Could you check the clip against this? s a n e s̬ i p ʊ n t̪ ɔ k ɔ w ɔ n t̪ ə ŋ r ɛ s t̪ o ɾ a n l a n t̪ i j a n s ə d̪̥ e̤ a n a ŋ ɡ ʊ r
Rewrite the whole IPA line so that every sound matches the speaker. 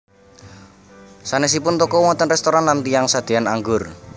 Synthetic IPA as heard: s a n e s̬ i p ʊ n t̪ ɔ k ɔ w ɔ n t̪ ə n r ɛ s t̪ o ɾ a n l a n t̪ i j a ŋ s a d̪̥ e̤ a n a ŋ ɡ ʊ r